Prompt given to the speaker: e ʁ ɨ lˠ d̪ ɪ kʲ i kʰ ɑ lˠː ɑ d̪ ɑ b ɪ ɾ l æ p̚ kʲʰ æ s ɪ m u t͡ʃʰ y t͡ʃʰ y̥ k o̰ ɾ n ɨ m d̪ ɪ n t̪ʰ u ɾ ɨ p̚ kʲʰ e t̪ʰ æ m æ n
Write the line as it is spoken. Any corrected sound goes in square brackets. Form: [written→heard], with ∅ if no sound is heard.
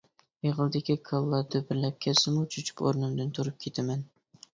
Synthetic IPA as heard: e ʁ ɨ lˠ d̪ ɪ kʲ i kʰ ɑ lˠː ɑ d̪ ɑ b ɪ ɾ l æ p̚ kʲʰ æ s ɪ m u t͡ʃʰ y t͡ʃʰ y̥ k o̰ ɾ n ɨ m d̪ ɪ n t̪ʰ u ɾ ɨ p̚ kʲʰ e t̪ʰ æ m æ n

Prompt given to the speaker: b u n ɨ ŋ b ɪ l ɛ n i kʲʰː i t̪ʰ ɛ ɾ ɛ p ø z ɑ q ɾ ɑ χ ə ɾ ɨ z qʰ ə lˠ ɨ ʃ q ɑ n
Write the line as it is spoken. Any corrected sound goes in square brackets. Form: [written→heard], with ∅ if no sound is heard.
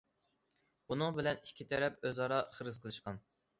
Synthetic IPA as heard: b u n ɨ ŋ b ɪ l ɛ n i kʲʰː i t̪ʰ ɛ ɾ ɛ p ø z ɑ [q→∅] ɾ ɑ χ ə ɾ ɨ z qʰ ə lˠ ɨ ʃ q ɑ n

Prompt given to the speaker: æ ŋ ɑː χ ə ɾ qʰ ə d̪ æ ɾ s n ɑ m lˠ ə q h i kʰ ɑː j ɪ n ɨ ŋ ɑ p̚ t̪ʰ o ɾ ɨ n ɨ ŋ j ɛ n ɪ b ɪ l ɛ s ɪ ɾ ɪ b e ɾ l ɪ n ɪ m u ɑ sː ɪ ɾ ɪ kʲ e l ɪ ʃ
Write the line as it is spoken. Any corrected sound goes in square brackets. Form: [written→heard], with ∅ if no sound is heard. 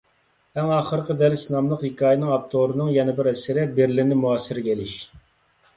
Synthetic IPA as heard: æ ŋ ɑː χ ə ɾ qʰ ə d̪ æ ɾ s n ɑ m lˠ ə q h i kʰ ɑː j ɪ n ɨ ŋ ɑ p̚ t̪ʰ o ɾ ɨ n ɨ ŋ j ɛ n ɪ b ɪ [l→ɾ] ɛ s ɪ ɾ ɪ b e ɾ l ɪ n ɪ m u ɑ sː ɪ ɾ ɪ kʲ e l ɪ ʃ

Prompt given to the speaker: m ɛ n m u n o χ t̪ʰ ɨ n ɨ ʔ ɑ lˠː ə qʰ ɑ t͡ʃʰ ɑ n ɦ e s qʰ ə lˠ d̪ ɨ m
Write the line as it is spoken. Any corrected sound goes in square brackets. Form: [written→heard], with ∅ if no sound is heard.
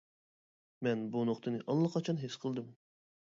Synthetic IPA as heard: m ɛ n [m→b] u n o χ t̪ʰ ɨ n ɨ ʔ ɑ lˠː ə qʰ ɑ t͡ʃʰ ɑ n ɦ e s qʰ ə lˠ d̪ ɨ m

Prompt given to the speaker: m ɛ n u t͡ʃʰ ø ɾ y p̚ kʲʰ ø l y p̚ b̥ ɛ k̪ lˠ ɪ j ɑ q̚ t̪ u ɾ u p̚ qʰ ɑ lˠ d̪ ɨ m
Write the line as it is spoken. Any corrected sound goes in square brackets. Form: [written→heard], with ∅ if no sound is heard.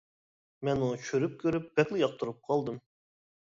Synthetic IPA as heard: m ɛ n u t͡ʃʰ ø ɾ y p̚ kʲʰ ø [l→ɾ] y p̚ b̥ ɛ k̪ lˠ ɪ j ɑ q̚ t̪ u ɾ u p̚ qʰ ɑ lˠ d̪ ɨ m

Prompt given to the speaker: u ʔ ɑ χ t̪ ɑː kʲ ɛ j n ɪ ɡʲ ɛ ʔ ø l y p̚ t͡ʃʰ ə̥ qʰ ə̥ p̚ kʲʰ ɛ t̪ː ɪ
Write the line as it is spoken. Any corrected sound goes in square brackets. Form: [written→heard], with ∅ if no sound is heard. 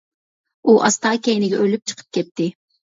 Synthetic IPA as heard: u ʔ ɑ [χ→s] t̪ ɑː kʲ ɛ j n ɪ ɡʲ ɛ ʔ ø l y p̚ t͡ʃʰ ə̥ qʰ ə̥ p̚ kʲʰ ɛ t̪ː ɪ

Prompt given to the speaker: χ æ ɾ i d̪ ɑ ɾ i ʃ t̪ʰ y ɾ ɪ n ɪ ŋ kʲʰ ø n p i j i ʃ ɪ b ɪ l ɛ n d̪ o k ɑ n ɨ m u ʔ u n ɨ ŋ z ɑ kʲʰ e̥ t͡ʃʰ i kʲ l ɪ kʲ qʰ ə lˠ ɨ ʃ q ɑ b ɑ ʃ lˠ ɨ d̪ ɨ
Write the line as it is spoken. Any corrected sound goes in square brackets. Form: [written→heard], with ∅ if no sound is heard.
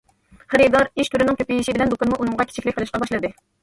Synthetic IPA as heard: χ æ ɾ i d̪ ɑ ɾ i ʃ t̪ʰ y ɾ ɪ n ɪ ŋ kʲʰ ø [n→∅] p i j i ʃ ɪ b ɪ l ɛ n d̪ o k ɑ n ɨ m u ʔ u n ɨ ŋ [z→ʁ] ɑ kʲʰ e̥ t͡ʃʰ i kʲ l ɪ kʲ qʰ ə lˠ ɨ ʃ q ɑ b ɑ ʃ lˠ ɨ d̪ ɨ

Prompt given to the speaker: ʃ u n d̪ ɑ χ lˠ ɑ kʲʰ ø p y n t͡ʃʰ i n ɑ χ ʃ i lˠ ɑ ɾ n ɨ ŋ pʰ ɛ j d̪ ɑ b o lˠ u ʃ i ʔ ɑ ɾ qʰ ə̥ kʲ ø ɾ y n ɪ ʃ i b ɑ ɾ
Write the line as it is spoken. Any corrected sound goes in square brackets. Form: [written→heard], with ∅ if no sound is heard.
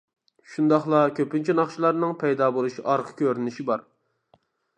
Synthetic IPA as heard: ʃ u n d̪ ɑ χ lˠ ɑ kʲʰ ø p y n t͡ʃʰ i n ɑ χ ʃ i lˠ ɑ ɾ n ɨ ŋ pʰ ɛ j d̪ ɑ b o lˠ u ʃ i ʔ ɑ ɾ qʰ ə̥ kʲ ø ɾ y n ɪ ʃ i b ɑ ɾ

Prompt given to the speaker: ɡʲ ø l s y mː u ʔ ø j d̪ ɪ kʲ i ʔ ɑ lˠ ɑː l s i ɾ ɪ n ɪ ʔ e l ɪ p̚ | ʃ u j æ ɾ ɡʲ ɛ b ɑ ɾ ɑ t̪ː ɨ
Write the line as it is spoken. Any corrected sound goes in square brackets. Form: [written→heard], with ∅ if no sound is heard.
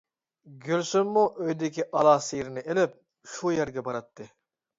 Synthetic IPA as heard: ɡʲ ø l s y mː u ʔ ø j d̪ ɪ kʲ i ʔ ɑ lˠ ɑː [l→∅] s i ɾ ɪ n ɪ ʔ e l ɪ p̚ | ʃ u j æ ɾ ɡʲ ɛ b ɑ ɾ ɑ t̪ː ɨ

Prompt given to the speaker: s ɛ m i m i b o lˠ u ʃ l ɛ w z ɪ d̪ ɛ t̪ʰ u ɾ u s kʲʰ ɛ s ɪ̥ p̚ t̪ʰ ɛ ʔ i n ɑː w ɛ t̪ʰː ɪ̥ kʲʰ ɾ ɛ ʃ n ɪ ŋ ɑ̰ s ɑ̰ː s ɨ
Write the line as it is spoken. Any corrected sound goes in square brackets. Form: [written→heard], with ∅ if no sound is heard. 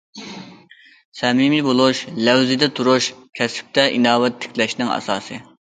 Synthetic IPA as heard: s ɛ m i m i b o lˠ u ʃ l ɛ w z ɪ d̪ ɛ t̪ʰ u ɾ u [s→ʃ] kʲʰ ɛ s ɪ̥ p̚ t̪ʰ ɛ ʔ i n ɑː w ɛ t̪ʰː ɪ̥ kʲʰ [ɾ→l] ɛ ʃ n ɪ ŋ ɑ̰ s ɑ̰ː s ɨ

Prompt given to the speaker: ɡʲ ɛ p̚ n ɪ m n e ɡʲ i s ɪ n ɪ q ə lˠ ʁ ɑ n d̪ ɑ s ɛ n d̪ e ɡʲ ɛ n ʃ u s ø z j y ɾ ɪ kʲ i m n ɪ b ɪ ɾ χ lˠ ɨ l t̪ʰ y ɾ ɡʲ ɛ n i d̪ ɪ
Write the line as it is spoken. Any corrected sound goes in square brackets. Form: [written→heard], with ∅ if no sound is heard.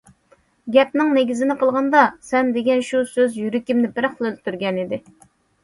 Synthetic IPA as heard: ɡʲ ɛ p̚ n ɪ [m→ŋ] n e ɡʲ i [s→z] ɪ n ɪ q ə lˠ ʁ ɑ n d̪ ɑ s ɛ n d̪ e ɡʲ ɛ n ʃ u s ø z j y ɾ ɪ kʲ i m n ɪ b ɪ ɾ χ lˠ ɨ l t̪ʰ y ɾ ɡʲ ɛ n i d̪ ɪ

